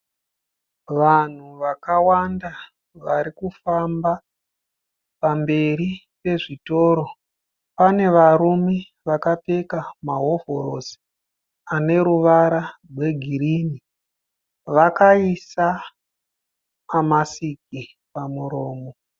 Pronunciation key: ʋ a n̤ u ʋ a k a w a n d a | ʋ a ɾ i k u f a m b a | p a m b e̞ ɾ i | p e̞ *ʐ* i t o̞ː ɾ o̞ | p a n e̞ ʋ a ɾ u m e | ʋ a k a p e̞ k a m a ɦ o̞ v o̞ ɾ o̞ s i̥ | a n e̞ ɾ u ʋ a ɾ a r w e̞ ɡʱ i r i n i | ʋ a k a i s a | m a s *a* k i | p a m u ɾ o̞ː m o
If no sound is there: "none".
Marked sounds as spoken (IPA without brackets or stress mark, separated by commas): ʐ, i